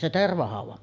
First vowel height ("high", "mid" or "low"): mid